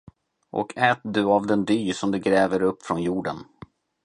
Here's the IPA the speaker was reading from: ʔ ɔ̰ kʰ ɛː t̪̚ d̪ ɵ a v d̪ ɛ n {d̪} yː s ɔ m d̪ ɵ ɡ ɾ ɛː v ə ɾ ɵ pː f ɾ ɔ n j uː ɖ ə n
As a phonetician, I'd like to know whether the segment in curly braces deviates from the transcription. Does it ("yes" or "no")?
no